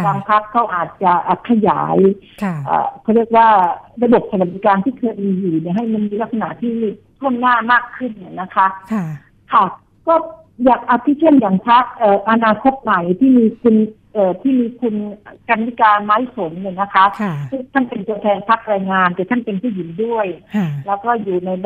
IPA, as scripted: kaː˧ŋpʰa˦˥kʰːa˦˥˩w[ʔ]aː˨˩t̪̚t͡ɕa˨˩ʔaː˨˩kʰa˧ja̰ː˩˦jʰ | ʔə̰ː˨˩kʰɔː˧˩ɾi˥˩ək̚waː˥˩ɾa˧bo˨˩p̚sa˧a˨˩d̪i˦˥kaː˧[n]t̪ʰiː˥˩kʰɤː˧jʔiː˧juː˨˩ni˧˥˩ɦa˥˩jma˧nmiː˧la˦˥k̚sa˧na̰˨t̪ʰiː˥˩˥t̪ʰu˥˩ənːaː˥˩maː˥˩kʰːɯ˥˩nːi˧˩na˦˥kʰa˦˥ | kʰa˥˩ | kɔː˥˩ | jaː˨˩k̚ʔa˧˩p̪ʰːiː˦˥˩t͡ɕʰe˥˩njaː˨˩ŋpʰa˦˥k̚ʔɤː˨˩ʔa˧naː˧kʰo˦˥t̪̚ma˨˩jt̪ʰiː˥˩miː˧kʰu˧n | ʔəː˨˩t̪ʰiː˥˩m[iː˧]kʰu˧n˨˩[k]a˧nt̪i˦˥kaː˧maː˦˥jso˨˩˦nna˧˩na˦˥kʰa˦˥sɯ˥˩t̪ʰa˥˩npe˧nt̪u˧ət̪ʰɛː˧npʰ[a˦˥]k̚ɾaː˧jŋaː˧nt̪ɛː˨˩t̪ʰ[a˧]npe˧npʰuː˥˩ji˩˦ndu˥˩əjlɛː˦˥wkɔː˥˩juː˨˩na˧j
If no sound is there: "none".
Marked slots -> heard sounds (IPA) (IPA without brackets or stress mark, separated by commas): ʔ, n, iː˧, k, a˦˥, a˥˩